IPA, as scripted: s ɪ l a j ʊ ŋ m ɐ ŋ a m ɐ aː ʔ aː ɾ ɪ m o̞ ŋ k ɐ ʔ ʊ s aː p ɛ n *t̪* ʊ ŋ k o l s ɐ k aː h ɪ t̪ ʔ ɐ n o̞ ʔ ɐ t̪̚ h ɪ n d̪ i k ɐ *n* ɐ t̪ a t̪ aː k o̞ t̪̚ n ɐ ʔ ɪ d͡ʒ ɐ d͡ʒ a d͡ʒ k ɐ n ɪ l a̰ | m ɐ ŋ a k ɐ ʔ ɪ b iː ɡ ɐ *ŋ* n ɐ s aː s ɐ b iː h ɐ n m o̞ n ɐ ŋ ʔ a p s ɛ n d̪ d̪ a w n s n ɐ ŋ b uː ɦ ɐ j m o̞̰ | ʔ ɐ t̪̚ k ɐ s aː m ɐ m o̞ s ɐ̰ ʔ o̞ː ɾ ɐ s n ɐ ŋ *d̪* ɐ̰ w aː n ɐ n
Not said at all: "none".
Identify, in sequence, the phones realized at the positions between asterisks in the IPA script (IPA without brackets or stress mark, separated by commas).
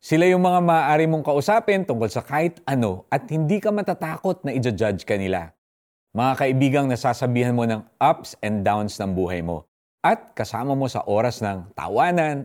t̪, m, ŋ, t̪